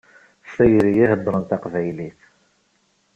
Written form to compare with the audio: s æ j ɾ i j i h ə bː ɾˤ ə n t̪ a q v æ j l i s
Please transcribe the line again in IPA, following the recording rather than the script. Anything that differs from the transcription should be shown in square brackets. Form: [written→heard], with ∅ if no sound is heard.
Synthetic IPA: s æ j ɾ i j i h ə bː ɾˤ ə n t̪ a q v æ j l i [s→θ]